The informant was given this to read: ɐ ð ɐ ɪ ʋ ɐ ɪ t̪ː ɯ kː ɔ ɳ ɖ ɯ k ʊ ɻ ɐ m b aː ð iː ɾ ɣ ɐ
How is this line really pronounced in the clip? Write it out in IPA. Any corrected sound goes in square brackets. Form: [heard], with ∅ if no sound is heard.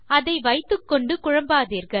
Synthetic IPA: ɐ ð ɐ ɪ ʋ ɐ ɪ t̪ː ɯ kː ɔ ɳ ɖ ɯ k ʊ ɻ ɐ m b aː ð iː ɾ ɣ ɐ

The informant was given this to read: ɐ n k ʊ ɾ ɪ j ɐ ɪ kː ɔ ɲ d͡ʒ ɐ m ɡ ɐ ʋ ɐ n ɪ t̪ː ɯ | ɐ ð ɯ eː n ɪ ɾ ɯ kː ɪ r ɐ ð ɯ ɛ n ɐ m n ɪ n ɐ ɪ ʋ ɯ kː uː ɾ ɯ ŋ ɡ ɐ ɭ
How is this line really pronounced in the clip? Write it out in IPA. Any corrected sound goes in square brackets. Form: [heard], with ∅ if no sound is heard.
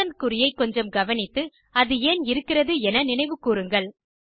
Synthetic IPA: ɐ n k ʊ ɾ ɪ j ɐ ɪ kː ɔ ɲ d͡ʒ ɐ m ɡ ɐ ʋ ɐ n ɪ t̪ː ɯ | ɐ ð ɯ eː n ɪ ɾ ɯ kː ɪ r ɐ ð ɯ ɛ n ɐ [∅] n ɪ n ɐ ɪ ʋ ɯ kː uː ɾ ɯ ŋ ɡ ɐ ɭ

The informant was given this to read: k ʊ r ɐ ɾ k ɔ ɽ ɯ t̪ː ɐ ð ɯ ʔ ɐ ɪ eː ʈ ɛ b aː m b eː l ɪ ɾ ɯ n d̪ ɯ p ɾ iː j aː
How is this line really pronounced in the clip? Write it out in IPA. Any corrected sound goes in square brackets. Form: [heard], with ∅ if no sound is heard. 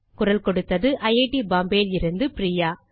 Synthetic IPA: k ʊ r ɐ [l] k ɔ ɽ ɯ t̪ː ɐ ð ɯ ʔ ɐ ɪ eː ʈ [i] b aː m b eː l ɪ ɾ ɯ n d̪ ɯ p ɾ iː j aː

